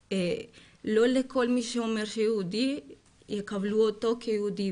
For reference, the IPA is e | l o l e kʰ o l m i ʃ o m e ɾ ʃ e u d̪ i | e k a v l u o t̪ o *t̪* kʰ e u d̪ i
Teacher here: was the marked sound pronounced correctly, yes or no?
no